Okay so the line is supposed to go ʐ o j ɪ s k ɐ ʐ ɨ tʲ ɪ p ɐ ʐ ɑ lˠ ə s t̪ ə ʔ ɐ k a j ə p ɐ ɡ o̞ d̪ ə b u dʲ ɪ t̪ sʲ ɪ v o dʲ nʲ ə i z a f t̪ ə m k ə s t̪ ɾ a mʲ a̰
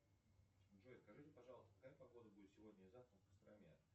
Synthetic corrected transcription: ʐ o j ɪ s k ɐ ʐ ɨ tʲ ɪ p ɐ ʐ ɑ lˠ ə s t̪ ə k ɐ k a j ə p ɐ ɡ o̞ d̪ ə b u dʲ ɪ t̪ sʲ ɪ v o dʲ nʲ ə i z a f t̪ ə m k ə s t̪ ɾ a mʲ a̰